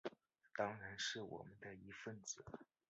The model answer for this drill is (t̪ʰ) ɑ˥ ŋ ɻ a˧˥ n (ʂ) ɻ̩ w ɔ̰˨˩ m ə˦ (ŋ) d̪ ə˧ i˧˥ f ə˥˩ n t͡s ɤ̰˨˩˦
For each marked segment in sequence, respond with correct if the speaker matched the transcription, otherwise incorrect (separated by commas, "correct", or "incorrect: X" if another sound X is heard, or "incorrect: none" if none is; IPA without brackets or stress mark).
incorrect: t̪, correct, incorrect: n